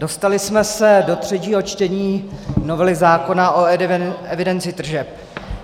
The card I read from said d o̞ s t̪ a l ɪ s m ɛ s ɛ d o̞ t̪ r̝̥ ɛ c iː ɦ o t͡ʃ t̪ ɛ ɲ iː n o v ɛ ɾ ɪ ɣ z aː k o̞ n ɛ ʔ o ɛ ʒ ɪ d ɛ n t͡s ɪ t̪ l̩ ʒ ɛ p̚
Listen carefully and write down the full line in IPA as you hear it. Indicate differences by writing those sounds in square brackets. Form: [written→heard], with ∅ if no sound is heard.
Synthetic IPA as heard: d o̞ s t̪ a l ɪ s m ɛ s ɛ d o̞ t̪ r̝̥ ɛ c iː ɦ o t͡ʃ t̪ ɛ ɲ iː n o v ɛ [ɾ→l] ɪ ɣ z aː k o̞ n [ɛ→a] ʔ o ɛ [ʒ→v] ɪ d ɛ n t͡s ɪ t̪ [l̩→r̩] ʒ ɛ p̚